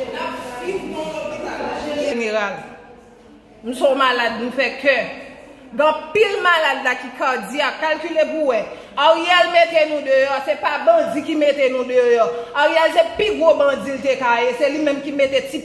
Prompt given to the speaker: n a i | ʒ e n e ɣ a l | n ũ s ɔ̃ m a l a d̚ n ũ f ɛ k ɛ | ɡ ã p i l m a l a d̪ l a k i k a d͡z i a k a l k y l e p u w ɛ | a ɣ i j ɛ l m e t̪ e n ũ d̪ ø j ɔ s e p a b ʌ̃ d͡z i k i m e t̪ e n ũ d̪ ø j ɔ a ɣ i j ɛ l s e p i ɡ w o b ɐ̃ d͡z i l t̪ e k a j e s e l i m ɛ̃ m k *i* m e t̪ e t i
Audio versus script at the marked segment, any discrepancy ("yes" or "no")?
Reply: no